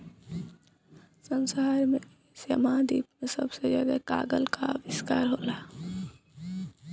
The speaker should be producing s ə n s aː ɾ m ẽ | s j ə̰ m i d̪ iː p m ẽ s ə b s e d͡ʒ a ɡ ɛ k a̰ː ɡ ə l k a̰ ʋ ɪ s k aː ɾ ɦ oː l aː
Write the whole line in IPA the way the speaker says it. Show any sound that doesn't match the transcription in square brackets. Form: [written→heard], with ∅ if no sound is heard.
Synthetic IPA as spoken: s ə n s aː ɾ m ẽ | s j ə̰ m [i→a] d̪ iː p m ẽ s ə b s e d͡ʒ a ɡ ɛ k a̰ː ɡ ə l k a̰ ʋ ɪ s k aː ɾ ɦ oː l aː